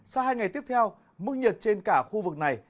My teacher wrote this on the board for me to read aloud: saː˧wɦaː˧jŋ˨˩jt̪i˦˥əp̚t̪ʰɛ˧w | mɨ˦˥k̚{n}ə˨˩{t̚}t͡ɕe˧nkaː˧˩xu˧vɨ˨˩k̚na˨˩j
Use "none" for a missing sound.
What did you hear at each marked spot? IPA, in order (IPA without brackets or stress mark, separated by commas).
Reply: ɲ, t̚